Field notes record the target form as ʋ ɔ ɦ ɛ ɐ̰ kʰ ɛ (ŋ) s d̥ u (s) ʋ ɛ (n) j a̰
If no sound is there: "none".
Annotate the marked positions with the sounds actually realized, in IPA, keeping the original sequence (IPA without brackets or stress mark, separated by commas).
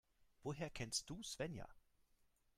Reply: n, s, n